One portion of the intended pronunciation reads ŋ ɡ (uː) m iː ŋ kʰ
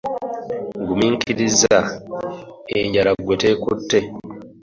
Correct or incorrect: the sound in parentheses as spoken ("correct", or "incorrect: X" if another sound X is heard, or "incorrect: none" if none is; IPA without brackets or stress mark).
incorrect: u